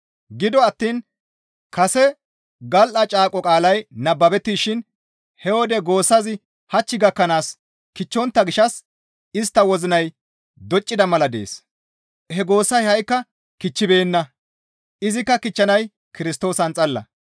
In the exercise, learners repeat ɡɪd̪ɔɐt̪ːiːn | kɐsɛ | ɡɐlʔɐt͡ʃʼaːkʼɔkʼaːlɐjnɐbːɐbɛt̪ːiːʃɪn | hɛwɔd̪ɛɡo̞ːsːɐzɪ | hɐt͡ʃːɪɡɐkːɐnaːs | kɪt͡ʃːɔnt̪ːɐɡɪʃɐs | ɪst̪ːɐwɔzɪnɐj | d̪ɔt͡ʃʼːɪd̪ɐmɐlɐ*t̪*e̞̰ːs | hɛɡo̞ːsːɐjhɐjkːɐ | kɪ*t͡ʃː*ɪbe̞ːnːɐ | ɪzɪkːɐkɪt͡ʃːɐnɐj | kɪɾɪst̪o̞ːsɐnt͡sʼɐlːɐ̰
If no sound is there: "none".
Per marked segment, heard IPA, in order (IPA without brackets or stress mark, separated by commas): d̪, t͡ʃː